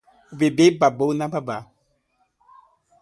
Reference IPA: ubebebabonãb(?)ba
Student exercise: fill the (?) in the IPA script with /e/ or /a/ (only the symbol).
a